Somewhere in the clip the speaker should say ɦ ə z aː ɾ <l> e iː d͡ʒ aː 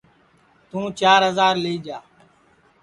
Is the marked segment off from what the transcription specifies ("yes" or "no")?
no